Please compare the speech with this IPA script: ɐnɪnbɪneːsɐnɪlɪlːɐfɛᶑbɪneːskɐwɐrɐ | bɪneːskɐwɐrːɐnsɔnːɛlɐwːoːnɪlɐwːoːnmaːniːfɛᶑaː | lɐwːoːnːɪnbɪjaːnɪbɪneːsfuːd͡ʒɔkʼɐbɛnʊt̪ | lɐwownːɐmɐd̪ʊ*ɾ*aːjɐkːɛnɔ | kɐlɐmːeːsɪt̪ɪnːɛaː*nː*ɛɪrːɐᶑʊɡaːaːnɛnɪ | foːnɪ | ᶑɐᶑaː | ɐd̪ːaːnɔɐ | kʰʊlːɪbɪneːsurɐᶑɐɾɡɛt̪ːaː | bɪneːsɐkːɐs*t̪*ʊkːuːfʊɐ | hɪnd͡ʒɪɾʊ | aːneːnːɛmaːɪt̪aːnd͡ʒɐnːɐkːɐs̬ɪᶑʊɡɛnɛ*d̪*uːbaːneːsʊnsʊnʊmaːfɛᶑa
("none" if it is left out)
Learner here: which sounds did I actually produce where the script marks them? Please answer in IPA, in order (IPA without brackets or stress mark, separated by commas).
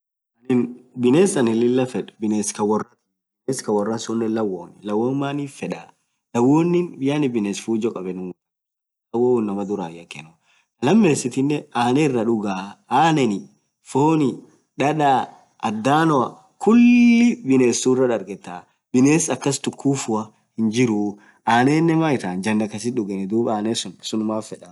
ɾ, n, t̪, d̪